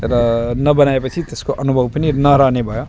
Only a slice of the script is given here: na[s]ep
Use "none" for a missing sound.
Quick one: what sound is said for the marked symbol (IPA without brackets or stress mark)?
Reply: none